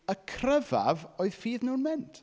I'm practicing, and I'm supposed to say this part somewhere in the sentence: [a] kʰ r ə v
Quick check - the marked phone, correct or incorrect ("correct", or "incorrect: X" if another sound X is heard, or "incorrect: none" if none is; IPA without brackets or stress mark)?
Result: incorrect: ə